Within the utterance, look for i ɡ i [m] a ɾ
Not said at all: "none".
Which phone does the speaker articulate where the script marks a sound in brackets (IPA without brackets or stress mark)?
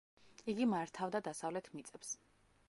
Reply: m